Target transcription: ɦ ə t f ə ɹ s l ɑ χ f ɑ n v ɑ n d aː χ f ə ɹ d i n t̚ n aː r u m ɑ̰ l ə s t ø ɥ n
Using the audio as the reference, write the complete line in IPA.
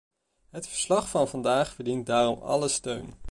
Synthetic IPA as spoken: ɦ ə t f ə ɹ s l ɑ χ f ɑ n v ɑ n d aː χ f ə ɹ d i n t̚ d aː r ɔ m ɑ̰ l ə s t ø ɥ n